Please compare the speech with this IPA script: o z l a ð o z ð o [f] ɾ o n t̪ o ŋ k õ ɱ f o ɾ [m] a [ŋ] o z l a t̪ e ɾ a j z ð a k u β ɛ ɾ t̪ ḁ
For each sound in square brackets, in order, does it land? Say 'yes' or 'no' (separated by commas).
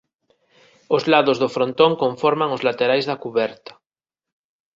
yes, yes, yes